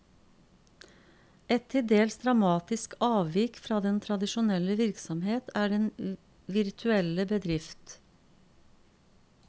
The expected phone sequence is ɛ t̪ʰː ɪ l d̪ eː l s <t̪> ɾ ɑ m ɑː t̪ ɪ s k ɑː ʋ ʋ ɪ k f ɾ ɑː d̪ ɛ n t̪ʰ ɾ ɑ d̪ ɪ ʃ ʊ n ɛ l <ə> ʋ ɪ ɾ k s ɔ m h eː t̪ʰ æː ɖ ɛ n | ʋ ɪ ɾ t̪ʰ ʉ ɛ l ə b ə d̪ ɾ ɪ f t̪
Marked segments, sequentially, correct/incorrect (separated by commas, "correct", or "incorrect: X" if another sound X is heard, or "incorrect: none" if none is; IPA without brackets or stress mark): incorrect: d̪, correct